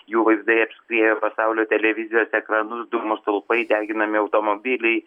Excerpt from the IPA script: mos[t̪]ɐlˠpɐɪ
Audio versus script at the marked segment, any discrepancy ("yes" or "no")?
no